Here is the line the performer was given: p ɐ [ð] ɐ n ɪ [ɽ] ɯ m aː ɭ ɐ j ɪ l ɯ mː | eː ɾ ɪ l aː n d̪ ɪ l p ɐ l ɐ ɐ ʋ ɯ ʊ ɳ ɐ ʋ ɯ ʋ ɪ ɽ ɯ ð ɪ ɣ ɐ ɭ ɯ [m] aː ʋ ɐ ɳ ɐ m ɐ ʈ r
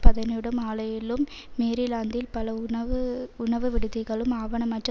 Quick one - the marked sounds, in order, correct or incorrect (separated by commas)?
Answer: correct, correct, correct